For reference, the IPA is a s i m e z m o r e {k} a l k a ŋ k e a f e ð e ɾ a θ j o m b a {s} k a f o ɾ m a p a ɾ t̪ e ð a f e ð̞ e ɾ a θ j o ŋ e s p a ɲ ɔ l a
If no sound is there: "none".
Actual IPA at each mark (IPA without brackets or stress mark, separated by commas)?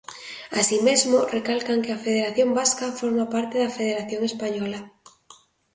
k, s